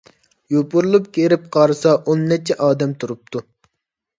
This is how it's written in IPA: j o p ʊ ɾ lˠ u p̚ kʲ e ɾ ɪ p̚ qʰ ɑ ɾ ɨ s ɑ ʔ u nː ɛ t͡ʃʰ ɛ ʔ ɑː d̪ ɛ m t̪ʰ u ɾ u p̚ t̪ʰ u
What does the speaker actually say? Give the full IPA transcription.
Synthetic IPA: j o p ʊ ɾ lˠ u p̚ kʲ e ɾ ɪ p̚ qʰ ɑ ɾ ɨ s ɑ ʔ o nː ɛ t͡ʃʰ ɛ ʔ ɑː d̪ ɛ m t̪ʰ u ɾ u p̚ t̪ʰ u